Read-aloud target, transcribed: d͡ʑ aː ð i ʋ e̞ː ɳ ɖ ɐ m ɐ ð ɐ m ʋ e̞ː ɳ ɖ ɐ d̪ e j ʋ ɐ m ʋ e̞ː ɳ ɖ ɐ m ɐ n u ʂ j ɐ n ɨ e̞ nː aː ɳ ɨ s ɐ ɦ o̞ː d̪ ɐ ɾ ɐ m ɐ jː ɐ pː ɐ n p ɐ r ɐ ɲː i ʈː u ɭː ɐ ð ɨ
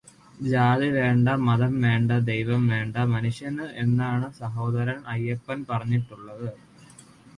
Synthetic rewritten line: d͡ʑ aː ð i ʋ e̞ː ɳ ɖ ɐ m ɐ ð ɐ m ʋ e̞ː ɳ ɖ ɐ d̪ e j ʋ ɐ m ʋ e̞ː ɳ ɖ ɐ m ɐ n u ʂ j ɐ n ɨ e̞ nː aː ɳ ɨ s ɐ ɦ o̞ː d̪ ɐ ɾ ɐ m ɐ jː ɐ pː ɐ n p ɐ r ɐ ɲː i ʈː u ɭː ɐ ð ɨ